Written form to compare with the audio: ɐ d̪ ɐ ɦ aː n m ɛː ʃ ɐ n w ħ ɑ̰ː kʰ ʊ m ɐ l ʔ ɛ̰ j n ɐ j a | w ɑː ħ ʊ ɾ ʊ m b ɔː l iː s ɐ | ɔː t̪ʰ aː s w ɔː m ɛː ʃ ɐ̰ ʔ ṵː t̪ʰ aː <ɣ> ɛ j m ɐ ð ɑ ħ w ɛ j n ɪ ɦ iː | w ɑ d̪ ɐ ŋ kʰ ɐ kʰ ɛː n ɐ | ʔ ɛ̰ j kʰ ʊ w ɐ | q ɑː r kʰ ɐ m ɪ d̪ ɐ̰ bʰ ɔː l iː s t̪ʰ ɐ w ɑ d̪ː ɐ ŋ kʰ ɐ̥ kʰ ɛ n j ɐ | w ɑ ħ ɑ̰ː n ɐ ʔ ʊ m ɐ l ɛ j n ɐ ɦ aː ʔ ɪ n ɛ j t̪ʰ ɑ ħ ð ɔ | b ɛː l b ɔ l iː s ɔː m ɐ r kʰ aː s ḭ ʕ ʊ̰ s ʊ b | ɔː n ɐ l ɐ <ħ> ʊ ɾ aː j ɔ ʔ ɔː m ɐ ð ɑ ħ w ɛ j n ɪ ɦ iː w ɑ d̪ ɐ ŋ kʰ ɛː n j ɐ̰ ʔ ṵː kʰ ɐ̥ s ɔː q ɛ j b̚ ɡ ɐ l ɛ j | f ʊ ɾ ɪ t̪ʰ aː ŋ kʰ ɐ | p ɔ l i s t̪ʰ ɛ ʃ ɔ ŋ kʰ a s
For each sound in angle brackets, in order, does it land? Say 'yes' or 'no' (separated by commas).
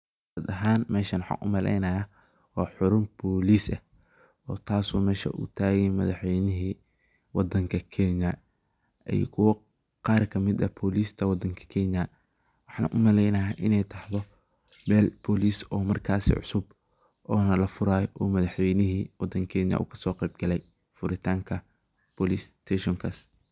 yes, no